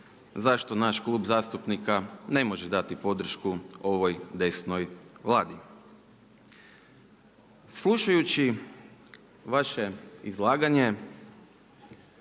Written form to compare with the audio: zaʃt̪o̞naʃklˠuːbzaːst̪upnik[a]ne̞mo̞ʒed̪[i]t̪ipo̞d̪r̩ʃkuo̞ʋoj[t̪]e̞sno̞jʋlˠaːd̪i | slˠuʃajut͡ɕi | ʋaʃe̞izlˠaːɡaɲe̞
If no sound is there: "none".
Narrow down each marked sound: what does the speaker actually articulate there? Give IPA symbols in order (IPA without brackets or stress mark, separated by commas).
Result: a, a, d̪